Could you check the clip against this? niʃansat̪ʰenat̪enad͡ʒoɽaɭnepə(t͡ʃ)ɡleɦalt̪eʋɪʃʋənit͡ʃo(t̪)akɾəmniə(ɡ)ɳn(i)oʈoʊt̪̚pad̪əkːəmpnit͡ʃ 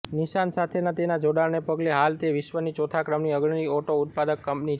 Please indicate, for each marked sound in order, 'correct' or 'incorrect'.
incorrect, incorrect, correct, correct

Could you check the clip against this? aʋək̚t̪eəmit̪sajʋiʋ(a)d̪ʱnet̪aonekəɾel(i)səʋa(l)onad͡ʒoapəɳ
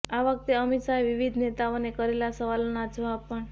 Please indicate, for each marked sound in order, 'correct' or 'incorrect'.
incorrect, incorrect, correct

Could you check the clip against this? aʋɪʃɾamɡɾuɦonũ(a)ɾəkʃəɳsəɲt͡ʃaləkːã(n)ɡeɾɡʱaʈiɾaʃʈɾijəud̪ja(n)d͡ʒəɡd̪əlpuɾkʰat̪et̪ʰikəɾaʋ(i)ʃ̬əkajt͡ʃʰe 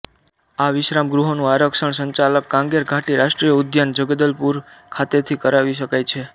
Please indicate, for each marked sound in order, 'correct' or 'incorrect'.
correct, incorrect, correct, correct

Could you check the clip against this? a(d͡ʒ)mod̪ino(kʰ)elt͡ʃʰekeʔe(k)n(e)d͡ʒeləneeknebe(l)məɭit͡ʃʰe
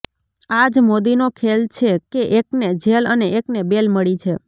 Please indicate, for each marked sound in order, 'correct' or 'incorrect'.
correct, correct, correct, correct, correct

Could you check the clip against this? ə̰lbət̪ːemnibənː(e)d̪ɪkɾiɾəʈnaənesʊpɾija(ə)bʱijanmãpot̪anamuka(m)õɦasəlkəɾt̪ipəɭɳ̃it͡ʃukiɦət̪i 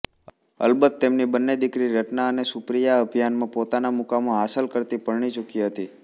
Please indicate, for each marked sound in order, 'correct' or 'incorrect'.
correct, correct, correct

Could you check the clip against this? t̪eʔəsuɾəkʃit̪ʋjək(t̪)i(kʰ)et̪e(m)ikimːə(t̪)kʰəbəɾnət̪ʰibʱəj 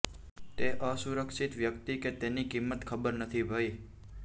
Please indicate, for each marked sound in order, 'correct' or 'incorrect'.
correct, incorrect, incorrect, correct

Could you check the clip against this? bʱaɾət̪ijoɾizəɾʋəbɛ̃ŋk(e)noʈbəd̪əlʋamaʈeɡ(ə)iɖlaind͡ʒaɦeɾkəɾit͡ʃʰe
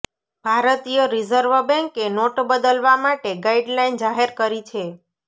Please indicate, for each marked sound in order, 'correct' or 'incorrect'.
correct, incorrect

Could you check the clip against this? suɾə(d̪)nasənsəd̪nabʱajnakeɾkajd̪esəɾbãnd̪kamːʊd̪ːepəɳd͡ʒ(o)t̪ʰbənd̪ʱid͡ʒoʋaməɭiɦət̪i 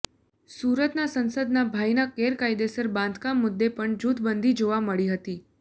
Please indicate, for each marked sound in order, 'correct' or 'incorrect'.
incorrect, incorrect

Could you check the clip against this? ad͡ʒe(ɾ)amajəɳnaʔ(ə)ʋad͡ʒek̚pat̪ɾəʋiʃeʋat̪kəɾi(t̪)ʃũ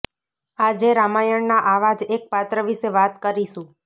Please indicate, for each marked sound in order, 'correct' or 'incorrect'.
correct, incorrect, incorrect

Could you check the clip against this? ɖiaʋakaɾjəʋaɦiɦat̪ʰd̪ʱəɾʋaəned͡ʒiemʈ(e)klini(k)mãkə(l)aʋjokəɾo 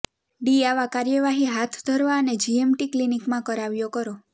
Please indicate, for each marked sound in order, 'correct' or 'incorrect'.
incorrect, correct, incorrect

